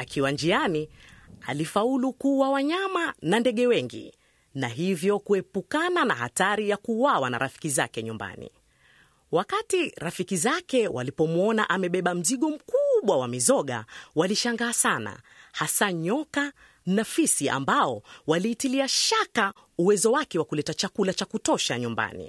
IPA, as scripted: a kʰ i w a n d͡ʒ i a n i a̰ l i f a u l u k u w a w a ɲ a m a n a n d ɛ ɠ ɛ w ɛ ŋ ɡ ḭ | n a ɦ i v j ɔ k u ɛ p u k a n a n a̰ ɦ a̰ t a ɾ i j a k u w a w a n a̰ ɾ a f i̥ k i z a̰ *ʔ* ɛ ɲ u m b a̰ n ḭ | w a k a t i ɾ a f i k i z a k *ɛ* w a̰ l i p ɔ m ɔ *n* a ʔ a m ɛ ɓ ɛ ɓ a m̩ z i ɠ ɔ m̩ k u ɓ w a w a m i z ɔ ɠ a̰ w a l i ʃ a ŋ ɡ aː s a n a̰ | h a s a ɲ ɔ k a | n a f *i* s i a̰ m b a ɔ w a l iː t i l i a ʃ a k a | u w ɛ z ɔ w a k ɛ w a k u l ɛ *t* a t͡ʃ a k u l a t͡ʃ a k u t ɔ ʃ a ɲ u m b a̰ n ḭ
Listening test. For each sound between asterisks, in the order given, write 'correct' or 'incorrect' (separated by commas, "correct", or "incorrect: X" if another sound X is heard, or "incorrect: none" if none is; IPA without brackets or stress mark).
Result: incorrect: k, correct, correct, correct, correct